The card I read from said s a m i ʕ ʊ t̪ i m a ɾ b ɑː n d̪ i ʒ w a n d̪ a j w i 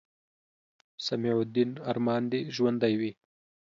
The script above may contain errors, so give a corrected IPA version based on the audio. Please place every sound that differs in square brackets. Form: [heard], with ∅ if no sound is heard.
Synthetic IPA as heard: s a m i ʕ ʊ [d̪] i [n] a ɾ [m] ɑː n d̪ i ʒ w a n d̪ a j w i